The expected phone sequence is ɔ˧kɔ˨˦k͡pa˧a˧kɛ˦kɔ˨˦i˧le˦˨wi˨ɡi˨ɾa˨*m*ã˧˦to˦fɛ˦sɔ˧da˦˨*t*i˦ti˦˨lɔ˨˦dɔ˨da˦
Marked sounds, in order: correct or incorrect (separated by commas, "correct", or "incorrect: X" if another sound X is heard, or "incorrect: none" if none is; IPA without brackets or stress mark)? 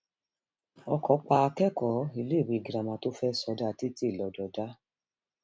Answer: correct, correct